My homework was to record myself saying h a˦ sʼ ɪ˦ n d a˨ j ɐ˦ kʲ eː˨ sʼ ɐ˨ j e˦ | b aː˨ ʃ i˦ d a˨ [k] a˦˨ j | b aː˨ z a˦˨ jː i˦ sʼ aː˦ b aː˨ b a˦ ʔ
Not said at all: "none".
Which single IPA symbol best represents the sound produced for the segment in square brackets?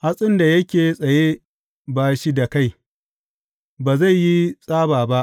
k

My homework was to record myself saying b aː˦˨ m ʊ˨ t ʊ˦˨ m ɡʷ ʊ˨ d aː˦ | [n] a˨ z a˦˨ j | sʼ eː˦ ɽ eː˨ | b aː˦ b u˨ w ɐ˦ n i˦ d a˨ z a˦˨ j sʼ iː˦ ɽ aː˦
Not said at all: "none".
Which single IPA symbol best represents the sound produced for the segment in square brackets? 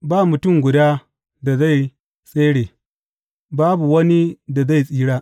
d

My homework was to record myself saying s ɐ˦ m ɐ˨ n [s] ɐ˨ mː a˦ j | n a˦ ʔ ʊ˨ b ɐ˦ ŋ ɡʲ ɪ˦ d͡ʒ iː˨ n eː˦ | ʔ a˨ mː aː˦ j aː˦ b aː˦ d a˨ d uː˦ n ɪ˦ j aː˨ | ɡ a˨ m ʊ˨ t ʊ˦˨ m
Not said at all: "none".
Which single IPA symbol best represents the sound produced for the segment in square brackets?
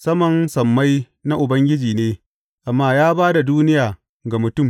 s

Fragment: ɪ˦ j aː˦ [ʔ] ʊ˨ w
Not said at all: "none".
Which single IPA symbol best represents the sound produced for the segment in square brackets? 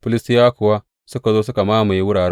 k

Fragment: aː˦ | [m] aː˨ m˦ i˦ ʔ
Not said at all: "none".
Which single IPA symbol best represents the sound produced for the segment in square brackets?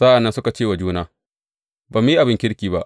b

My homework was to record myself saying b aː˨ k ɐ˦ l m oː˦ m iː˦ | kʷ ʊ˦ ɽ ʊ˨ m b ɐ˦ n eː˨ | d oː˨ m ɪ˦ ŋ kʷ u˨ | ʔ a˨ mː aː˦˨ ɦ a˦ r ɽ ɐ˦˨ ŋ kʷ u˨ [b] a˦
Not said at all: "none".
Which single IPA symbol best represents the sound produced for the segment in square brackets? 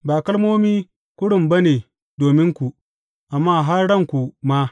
m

